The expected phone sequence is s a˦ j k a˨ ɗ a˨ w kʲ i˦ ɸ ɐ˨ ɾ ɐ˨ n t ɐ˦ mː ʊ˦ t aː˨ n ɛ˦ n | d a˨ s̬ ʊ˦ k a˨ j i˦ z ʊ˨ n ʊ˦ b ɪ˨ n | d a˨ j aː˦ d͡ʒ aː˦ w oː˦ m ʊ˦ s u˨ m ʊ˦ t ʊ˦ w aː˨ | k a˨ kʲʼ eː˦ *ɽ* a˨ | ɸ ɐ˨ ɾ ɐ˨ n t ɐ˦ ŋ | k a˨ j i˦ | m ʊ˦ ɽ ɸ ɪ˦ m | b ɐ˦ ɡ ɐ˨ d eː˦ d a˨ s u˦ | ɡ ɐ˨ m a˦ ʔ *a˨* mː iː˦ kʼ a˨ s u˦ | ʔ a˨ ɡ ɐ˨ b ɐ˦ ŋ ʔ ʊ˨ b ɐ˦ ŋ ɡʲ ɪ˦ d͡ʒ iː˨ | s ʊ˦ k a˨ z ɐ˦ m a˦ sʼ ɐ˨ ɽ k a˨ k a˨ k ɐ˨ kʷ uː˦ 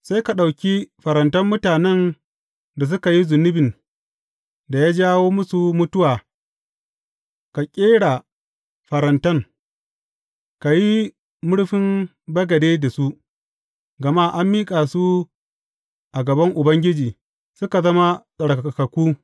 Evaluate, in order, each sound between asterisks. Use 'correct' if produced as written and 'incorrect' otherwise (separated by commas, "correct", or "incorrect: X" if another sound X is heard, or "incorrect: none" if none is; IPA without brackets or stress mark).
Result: correct, incorrect: a˦